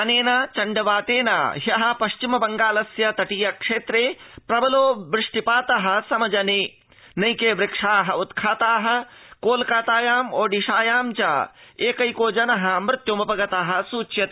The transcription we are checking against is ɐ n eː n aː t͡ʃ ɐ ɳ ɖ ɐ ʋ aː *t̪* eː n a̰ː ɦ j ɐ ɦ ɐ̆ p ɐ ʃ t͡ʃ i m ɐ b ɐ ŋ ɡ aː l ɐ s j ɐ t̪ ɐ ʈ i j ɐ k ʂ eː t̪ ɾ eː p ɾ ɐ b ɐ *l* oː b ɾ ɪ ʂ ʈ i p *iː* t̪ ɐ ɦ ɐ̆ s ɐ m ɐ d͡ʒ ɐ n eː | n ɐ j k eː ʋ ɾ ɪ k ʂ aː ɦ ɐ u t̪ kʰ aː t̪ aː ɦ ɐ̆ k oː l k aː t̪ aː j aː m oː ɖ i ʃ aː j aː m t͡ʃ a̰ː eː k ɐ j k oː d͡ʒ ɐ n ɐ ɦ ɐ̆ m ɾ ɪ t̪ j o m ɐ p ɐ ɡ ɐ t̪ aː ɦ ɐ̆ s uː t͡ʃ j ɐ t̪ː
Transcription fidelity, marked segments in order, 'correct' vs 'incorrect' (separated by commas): correct, correct, incorrect